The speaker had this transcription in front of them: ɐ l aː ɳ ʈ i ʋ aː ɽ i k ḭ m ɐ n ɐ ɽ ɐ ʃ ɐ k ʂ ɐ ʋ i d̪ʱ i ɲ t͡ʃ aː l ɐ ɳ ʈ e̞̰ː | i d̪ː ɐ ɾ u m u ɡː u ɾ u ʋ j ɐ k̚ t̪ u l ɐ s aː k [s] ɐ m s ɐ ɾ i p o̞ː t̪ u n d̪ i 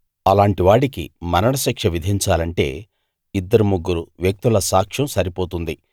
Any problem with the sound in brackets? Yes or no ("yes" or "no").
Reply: yes